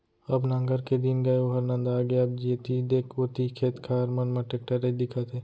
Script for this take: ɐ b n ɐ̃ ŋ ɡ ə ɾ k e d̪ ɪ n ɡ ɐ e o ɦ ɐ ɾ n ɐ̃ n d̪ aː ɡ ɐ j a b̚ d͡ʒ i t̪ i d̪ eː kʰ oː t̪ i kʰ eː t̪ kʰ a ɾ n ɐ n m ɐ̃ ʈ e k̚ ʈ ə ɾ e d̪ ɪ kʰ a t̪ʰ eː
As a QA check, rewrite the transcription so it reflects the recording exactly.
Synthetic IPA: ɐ b n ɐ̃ ŋ ɡ ə ɾ k e d̪ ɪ n ɡ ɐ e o ɦ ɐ ɾ n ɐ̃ n d̪ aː ɡ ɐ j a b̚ d͡ʒ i t̪ i d̪ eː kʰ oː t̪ i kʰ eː t̪ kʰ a ɾ m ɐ n m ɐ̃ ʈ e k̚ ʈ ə ɾ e d̪ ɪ kʰ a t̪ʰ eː